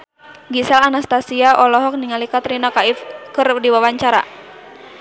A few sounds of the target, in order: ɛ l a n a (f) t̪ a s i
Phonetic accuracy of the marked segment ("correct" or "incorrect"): incorrect